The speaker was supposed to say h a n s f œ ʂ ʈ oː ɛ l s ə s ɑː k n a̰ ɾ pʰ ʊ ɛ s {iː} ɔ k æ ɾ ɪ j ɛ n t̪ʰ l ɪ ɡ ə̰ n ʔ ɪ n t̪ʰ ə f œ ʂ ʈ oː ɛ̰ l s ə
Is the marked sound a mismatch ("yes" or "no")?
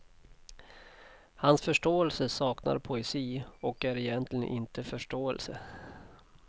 no